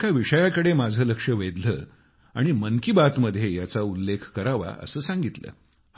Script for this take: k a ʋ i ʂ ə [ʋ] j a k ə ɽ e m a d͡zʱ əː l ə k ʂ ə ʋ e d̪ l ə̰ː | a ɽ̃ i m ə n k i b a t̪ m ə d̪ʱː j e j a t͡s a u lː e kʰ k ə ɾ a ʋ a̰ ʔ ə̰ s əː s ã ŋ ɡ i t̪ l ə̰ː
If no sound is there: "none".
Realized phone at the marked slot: none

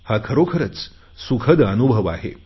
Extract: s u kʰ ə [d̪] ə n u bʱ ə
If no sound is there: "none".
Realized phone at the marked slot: d̪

